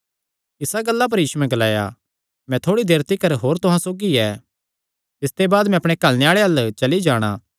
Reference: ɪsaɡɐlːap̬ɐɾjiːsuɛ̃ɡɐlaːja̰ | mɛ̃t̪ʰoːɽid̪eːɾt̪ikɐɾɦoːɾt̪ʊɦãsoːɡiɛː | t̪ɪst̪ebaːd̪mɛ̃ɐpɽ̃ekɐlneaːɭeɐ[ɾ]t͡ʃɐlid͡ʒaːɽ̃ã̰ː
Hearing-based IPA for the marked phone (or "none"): l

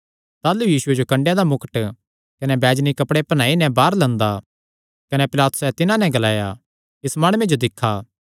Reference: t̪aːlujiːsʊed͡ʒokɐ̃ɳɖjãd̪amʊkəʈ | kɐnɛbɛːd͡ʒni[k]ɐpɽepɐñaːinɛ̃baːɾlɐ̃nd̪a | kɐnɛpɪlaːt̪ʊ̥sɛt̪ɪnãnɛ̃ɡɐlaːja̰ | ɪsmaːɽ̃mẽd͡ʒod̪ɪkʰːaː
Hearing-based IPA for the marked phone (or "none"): k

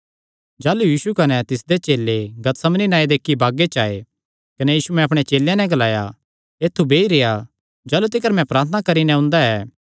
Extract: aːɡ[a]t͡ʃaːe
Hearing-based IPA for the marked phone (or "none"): e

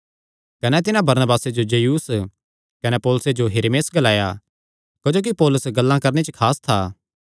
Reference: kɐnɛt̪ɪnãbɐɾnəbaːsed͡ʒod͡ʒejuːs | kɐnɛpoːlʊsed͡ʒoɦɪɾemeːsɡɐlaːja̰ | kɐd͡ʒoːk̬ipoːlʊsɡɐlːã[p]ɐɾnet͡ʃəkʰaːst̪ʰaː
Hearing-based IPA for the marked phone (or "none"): k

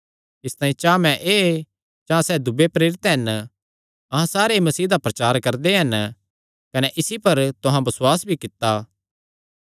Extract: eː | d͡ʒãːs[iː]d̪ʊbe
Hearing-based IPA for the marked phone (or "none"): ɛː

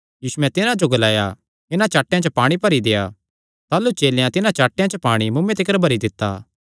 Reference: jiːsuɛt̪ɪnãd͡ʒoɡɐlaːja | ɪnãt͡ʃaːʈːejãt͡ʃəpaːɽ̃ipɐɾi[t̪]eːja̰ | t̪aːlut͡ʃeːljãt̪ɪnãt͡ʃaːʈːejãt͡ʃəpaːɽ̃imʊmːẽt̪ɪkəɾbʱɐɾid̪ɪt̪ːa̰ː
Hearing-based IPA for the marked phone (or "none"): d̪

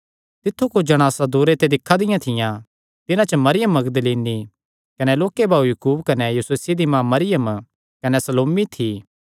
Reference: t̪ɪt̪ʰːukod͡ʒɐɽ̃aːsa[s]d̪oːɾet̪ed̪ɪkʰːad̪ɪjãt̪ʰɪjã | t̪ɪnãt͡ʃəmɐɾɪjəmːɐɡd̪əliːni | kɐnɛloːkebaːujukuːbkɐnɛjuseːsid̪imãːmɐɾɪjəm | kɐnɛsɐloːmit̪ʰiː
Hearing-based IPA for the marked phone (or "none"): none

